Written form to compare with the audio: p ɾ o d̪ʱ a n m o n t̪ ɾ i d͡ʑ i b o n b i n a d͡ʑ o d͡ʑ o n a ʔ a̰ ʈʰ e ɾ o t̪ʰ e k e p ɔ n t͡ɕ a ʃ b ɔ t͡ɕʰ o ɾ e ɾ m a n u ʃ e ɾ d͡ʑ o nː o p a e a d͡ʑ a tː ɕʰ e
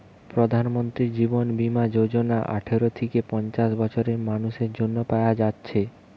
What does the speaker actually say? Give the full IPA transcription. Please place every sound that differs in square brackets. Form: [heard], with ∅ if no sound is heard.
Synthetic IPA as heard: p ɾ o d̪ʱ a n m o n t̪ ɾ i d͡ʑ i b o n b i [m] a d͡ʑ o d͡ʑ o n a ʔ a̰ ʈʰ e ɾ o t̪ʰ e k e p ɔ n t͡ɕ a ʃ b ɔ t͡ɕʰ o ɾ e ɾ m a n u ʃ e ɾ d͡ʑ o nː o p a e a d͡ʑ a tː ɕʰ e

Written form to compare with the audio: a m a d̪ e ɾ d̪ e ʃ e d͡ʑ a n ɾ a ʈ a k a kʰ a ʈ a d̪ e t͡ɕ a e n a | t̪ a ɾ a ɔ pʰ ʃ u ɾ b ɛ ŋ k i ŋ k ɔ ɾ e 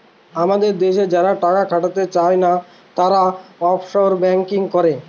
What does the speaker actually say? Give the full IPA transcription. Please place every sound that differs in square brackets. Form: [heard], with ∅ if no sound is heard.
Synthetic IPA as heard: a m a d̪ e ɾ d̪ e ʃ e d͡ʑ a [∅] ɾ a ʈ a k a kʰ a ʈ a [t̪] e t͡ɕ a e n a | t̪ a ɾ a ɔ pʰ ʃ [o] ɾ b ɛ ŋ k i ŋ k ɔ ɾ e

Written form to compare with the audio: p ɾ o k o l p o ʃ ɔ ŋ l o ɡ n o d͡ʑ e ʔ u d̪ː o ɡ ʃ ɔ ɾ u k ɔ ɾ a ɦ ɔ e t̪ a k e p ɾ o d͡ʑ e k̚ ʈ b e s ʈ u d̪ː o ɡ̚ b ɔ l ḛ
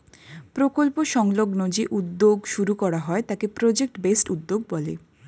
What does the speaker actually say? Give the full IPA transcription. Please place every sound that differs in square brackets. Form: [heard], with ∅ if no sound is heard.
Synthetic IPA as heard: p ɾ o k o l p o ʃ ɔ ŋ l o ɡ n o d͡ʑ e ʔ u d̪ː o ɡ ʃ [u] ɾ u k ɔ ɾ a ɦ ɔ e t̪ a k e p ɾ o d͡ʑ e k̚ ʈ b e s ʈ u d̪ː o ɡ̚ b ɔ l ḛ

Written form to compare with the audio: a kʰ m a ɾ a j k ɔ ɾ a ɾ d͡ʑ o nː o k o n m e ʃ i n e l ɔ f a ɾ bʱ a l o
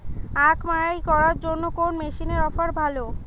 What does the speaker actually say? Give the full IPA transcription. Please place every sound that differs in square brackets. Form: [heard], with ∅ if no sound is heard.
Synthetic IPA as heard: a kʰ m a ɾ a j k ɔ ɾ a ɾ d͡ʑ o nː o k o n m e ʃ i n e [ɾ] ɔ f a ɾ bʱ a l o

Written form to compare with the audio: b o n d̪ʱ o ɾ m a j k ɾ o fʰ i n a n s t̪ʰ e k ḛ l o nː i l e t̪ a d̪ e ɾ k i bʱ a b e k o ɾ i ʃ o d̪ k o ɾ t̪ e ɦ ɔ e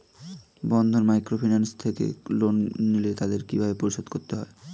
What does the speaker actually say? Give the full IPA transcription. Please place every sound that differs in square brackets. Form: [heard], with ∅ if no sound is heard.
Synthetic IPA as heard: b [ɔ] n d̪ʱ o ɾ m a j k ɾ o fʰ i n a n s t̪ʰ e k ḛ l o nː i l e t̪ a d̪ e ɾ k i bʱ a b e [p] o ɾ i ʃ o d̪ k o ɾ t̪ e ɦ ɔ e

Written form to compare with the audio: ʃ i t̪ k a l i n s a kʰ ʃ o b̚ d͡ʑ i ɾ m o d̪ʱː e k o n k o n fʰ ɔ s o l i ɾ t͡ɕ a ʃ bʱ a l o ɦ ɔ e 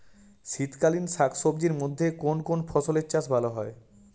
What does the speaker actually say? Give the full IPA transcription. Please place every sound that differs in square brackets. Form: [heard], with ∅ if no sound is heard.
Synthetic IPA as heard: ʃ i t̪ k a l i n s a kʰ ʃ o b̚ d͡ʑ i ɾ m o d̪ʱː e k o n k o n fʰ ɔ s o l [e] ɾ t͡ɕ a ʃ bʱ a l o ɦ ɔ e

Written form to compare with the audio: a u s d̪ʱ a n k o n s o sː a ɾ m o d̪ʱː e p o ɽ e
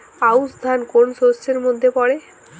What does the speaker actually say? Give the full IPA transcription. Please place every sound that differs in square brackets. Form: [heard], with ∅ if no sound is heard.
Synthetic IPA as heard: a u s d̪ʱ a n k o n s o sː [e] ɾ m o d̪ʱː e p [ɔ] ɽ e

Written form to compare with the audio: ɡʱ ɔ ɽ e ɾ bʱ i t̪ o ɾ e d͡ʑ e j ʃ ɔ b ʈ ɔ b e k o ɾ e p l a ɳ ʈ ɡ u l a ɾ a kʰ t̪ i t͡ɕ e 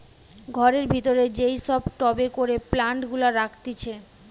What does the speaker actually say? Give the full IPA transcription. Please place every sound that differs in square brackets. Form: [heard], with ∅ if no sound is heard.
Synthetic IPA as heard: ɡʱ ɔ [ɾ] e ɾ bʱ i t̪ o ɾ e d͡ʑ e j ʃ ɔ b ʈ ɔ b e k o ɾ e p l a ɳ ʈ ɡ u l a ɾ a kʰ t̪ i [t͡ɕʰ] e

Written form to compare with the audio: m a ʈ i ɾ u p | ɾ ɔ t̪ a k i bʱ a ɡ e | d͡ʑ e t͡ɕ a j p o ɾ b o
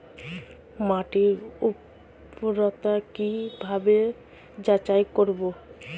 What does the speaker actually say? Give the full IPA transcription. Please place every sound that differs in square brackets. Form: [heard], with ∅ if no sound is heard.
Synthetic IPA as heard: m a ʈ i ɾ u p | ɾ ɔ t̪ a k i bʱ a [b] e | d͡ʑ [a] t͡ɕ a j [k] o ɾ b o

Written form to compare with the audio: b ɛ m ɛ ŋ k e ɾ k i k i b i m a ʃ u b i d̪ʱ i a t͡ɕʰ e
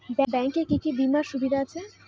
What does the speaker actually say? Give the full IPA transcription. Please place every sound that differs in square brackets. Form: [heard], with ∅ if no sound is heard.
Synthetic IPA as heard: b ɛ [b] ɛ ŋ k e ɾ k i k i b i m a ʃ u b i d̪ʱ [a] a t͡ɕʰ e

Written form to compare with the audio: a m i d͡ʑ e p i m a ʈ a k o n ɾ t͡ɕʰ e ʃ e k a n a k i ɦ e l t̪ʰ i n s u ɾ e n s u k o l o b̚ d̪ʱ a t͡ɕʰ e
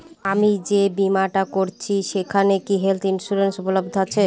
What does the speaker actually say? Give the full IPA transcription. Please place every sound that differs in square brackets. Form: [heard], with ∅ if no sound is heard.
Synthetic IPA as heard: a m i d͡ʑ e [b] i m a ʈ a k o [∅] ɾ t͡ɕʰ [i] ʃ e [kʰ] a n [e] k i ɦ e l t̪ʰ i n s u ɾ e n s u [p] o l o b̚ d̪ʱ a t͡ɕʰ e

